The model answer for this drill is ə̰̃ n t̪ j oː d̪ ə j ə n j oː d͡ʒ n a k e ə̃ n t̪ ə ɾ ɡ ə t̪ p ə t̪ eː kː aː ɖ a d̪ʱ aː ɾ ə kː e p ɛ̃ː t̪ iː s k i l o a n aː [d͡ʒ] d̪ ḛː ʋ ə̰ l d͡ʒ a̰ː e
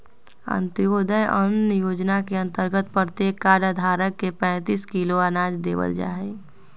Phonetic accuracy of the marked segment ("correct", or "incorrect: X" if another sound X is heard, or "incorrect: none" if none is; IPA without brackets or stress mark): correct